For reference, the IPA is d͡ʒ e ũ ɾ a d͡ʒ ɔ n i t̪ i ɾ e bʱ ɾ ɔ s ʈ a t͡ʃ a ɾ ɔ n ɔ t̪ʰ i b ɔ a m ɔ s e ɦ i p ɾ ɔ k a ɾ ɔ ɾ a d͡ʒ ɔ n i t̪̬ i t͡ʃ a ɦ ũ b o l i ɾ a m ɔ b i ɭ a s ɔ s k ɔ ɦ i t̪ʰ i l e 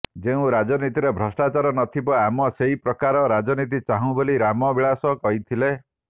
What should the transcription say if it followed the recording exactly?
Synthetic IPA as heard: d͡ʒ e ũ ɾ a d͡ʒ ɔ n i t̪ i ɾ e bʱ ɾ ɔ s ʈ a t͡ʃ a ɾ ɔ n ɔ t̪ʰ i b ɔ a m ɔ s e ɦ i p ɾ ɔ k a ɾ ɔ ɾ a d͡ʒ ɔ n i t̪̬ i t͡ʃ a ɦ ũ b o l i ɾ a m ɔ b i ɭ a s ɔ k ɔ ɦ i t̪ʰ i l e